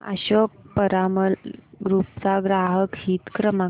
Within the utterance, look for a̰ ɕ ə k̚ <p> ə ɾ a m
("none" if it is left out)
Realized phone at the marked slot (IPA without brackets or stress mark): p